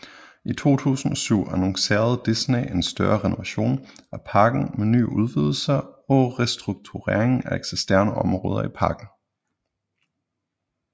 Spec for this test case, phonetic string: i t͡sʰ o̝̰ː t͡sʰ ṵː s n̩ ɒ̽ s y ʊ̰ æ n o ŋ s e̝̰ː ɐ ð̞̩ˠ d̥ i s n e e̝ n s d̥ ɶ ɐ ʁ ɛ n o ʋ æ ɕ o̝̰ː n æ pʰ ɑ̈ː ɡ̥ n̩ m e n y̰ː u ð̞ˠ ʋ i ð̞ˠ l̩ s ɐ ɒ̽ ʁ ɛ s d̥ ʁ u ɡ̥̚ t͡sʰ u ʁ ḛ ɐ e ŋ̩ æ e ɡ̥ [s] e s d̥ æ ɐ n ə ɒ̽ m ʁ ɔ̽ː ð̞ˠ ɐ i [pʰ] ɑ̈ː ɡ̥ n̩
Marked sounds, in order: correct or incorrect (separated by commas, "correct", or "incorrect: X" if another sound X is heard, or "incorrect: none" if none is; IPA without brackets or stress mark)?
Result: correct, correct